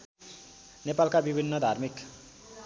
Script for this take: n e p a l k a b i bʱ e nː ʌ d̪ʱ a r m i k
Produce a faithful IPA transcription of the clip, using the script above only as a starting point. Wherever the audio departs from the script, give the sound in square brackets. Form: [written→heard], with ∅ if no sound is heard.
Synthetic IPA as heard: n e p a l k a b i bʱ [e→i] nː ʌ d̪ʱ a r m i k